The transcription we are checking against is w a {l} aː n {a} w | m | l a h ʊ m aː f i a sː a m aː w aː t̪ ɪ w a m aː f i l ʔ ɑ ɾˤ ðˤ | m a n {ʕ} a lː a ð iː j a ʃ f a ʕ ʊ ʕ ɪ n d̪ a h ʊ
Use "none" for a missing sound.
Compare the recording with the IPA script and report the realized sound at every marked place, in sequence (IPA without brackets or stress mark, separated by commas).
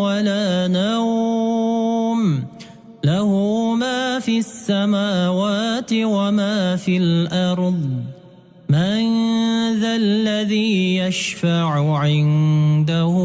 l, a, ð